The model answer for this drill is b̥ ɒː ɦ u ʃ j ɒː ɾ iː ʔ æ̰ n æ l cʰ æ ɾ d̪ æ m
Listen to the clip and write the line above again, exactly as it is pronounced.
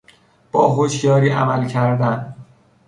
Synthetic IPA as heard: b̥ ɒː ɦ o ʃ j ɒː ɾ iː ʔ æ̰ m æ l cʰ æ ɾ d̪ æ n